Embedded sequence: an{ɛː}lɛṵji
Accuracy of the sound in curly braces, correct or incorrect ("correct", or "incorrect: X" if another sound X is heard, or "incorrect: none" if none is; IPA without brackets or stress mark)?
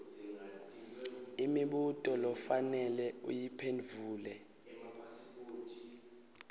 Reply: incorrect: ɛ